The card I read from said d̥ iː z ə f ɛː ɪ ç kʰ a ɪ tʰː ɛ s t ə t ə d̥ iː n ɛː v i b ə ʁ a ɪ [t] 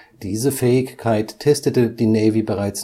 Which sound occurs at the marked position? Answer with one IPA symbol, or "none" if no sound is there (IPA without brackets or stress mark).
t͡s